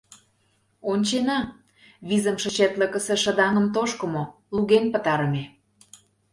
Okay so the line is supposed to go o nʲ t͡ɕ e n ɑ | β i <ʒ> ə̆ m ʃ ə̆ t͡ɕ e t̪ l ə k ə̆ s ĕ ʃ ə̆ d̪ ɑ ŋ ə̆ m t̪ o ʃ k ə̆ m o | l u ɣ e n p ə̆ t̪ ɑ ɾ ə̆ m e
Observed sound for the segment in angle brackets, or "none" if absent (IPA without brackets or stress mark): z